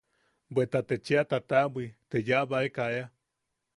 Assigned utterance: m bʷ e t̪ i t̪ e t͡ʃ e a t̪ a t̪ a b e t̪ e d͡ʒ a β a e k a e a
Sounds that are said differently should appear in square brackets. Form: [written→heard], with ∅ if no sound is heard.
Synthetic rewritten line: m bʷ e t̪ [i→a] t̪ e t͡ʃ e a t̪ a t̪ a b [e→i] t̪ e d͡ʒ a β a e k a e a